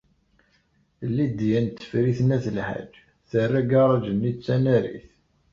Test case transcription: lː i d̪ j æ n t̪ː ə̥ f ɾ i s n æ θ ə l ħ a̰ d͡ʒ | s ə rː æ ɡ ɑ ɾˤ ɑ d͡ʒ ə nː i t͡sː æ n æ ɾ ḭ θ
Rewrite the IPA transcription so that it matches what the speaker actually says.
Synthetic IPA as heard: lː i d̪ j æ n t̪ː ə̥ f ɾ i θ n æ θ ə l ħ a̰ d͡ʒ | θ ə rː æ ɡ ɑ ɾˤ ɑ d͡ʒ ə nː i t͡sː æ n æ ɾ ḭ θ

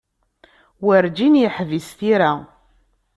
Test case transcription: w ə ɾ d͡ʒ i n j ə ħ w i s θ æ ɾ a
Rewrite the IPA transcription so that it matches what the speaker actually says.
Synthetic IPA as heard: w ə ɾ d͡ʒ i n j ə ħ v i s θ i ɾ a

